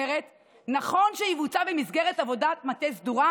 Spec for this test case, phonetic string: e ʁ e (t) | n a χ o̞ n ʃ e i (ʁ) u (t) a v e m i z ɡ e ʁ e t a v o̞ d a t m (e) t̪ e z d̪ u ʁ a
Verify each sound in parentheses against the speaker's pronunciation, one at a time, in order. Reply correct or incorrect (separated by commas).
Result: correct, incorrect, incorrect, incorrect